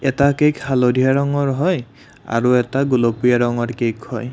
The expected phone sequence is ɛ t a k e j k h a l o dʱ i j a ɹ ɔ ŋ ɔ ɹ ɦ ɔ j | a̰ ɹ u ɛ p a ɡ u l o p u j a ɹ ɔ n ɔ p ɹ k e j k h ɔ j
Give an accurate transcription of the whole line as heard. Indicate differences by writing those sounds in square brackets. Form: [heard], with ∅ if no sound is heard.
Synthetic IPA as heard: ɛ t a k e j k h a l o dʱ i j a ɹ ɔ ŋ ɔ ɹ ɦ ɔ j | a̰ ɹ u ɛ [t] a ɡ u l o p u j a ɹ ɔ [ŋ] ɔ [∅] ɹ k e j k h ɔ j